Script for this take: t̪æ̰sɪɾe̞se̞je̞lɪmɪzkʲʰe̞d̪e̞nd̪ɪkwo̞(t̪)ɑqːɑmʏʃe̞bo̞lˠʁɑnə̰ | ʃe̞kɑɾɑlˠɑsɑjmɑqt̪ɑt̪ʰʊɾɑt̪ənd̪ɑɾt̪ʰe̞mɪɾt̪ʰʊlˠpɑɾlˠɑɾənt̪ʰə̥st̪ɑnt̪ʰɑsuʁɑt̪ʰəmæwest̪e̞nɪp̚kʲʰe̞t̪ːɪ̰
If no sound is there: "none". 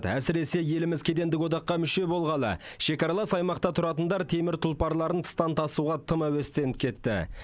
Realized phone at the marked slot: d̪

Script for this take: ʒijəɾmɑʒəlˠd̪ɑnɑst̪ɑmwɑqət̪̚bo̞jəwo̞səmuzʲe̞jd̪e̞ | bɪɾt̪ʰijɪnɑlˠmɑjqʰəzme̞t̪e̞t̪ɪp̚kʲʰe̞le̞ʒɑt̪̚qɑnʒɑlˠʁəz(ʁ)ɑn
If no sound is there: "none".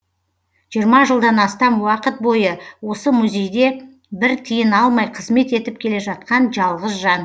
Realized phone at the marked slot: ʒ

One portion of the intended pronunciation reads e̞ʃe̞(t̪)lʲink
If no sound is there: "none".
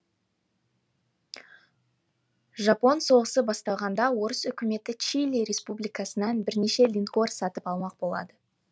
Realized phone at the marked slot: none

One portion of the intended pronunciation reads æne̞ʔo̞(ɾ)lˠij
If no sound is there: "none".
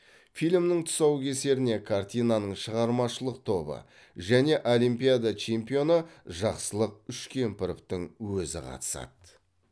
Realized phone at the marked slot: none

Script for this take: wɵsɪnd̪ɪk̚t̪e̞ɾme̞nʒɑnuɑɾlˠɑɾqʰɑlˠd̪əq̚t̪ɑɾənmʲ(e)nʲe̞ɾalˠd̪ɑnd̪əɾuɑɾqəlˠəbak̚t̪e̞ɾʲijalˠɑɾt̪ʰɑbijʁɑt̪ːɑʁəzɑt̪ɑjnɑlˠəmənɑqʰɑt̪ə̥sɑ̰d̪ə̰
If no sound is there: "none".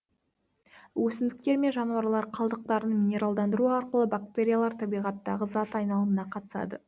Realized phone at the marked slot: i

